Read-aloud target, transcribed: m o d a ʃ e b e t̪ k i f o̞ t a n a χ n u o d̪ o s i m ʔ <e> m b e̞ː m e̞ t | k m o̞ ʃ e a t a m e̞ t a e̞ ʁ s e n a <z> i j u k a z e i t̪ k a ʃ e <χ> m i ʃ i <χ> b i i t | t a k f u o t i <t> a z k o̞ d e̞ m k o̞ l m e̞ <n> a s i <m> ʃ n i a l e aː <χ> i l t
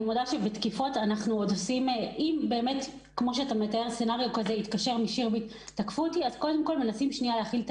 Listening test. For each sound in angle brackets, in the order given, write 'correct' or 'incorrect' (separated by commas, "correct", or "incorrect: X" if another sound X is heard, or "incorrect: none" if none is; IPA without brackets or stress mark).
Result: incorrect: i, incorrect: ʁ, incorrect: ʁ, incorrect: ʁ, incorrect: none, correct, correct, correct